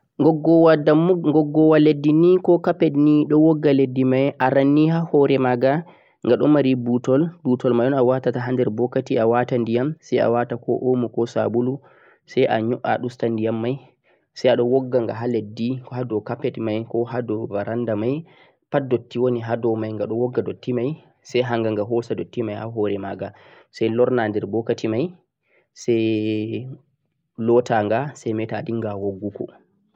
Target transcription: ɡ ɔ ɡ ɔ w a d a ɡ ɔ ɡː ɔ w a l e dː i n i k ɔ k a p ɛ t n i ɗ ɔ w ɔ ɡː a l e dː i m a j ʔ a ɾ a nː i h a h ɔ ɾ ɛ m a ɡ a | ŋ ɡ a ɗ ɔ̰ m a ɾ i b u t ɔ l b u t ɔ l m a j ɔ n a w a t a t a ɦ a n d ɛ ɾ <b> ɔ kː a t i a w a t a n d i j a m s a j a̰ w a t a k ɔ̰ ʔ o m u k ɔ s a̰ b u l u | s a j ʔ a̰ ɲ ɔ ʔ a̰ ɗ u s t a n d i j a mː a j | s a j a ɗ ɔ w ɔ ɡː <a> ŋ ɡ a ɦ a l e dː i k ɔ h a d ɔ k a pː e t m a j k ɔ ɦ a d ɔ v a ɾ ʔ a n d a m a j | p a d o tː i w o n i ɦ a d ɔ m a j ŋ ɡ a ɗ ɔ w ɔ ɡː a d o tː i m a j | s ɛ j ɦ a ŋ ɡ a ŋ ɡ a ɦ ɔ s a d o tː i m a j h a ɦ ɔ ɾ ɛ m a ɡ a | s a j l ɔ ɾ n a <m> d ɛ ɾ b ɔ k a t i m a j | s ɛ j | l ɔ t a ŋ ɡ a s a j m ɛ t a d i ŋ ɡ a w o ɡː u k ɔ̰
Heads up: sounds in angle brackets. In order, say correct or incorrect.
correct, correct, incorrect

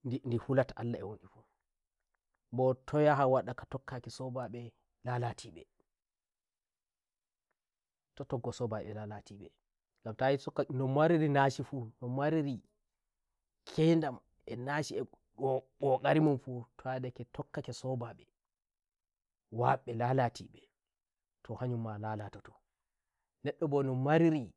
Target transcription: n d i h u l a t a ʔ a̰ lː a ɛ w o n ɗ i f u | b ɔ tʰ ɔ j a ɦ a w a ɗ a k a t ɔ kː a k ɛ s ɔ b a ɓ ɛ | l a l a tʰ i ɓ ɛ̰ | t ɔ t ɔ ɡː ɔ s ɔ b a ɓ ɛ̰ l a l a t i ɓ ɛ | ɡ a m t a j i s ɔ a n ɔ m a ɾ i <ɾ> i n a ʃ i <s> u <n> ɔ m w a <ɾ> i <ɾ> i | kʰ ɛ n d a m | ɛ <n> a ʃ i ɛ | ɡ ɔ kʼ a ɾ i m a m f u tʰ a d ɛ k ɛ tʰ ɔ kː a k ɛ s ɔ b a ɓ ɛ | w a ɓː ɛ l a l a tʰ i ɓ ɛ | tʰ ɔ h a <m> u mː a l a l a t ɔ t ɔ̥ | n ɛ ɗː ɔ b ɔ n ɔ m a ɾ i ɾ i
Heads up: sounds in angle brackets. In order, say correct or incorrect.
correct, incorrect, correct, correct, correct, correct, incorrect

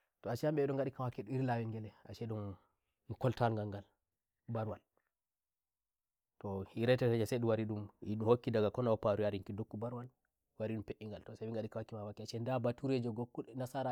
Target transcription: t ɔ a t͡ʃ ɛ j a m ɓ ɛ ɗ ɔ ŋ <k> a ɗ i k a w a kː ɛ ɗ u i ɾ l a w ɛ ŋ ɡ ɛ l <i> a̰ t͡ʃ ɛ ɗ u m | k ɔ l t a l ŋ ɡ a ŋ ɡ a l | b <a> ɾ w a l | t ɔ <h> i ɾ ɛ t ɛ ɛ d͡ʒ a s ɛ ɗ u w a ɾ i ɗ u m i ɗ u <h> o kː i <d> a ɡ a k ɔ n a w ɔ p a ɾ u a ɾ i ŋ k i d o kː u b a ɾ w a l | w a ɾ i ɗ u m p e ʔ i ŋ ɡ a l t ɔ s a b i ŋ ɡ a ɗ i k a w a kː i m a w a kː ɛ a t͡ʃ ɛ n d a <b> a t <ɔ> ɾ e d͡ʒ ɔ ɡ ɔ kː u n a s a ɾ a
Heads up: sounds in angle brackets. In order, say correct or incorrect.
incorrect, incorrect, correct, correct, correct, correct, correct, incorrect

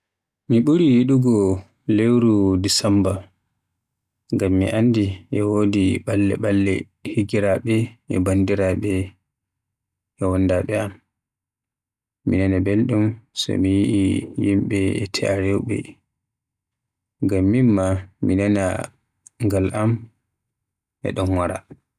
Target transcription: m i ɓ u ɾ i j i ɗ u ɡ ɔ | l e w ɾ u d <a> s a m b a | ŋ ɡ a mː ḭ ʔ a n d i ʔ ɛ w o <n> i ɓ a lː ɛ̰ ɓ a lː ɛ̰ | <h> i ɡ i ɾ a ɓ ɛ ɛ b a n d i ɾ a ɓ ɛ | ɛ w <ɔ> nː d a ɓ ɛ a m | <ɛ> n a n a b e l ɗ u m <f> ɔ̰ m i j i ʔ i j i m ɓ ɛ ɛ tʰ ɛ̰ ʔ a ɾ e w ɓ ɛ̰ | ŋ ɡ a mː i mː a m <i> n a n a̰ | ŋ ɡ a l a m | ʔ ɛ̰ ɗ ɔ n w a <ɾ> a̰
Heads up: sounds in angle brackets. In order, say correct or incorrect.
incorrect, incorrect, correct, correct, incorrect, incorrect, correct, correct

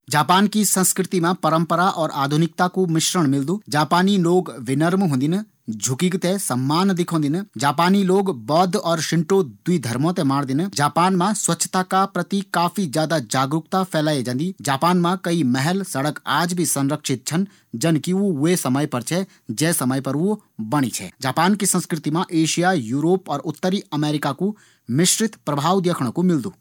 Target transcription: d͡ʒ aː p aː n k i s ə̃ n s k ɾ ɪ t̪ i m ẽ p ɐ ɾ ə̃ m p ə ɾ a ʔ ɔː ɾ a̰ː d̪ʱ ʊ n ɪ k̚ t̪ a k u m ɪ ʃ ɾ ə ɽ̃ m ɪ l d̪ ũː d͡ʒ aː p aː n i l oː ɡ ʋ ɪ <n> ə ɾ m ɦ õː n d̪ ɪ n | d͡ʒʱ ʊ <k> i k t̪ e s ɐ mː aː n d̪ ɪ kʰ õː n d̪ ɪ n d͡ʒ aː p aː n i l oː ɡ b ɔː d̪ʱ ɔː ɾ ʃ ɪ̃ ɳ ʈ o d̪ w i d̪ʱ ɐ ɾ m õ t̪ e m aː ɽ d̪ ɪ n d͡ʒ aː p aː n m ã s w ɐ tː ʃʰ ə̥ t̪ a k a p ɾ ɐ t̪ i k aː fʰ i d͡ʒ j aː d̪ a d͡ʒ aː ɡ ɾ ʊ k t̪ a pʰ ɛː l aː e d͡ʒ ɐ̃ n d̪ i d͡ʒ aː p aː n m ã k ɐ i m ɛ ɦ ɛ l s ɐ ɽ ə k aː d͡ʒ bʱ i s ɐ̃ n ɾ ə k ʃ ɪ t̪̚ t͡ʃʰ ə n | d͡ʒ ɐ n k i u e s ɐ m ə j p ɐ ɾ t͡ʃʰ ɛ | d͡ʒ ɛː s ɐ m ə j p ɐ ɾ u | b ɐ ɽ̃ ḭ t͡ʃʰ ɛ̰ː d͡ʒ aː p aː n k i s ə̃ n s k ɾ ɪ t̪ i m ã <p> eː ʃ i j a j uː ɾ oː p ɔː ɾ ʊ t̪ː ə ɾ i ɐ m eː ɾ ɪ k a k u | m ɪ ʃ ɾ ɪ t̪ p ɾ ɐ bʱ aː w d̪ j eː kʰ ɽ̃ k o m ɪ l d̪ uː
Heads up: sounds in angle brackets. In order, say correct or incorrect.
correct, correct, incorrect

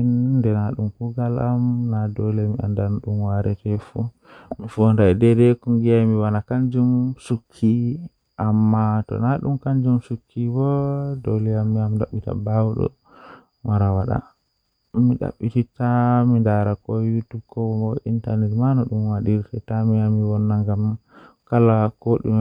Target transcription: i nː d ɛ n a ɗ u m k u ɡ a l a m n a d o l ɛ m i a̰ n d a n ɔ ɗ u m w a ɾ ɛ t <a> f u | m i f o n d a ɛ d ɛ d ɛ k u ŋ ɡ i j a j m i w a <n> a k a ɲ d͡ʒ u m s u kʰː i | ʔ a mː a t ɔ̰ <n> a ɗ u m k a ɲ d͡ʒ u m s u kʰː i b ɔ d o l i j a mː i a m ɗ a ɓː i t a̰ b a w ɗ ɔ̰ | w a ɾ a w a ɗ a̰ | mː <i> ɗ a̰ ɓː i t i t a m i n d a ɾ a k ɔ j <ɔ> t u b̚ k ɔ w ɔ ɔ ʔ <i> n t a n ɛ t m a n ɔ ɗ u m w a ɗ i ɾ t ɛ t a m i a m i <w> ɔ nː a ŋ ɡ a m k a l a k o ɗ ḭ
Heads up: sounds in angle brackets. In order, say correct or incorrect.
incorrect, correct, correct, correct, incorrect, correct, correct

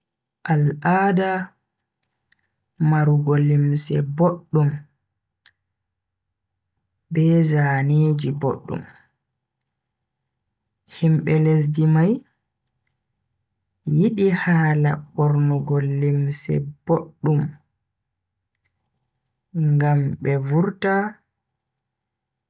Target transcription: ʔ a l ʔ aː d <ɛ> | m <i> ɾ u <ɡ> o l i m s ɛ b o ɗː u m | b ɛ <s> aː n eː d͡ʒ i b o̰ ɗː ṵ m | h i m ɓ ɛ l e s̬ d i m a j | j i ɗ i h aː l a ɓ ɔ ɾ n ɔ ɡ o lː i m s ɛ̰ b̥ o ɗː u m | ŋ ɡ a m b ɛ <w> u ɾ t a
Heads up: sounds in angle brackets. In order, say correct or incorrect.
incorrect, incorrect, correct, incorrect, incorrect

